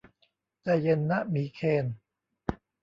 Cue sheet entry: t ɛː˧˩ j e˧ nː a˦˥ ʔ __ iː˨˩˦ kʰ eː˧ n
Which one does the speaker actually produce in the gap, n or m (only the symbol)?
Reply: m